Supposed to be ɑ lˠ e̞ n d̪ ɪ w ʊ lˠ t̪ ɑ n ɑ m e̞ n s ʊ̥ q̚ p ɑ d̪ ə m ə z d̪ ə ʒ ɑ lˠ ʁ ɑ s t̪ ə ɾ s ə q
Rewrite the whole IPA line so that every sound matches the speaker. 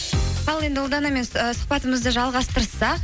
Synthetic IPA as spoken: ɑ lˠ e̞ n d̪ ɪ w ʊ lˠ d̪ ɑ n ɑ m e̞ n s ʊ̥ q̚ p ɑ t̪ ə m ə z d̪ ə ʒ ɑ lˠ ʁ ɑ s t̪ ə ɾ s ɑ q